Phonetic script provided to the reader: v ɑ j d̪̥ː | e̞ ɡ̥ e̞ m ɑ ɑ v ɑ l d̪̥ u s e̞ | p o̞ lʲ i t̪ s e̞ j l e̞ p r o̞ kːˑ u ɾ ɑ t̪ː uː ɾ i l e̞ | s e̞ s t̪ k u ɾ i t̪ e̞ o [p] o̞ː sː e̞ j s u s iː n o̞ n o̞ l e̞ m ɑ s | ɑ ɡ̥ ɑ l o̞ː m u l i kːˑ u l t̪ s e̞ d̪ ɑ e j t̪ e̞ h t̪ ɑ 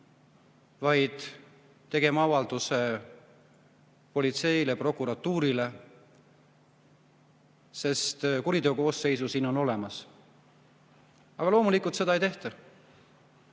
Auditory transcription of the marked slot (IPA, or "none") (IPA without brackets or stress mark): k